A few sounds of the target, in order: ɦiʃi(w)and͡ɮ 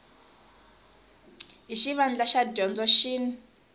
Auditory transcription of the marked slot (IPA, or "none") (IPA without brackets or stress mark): β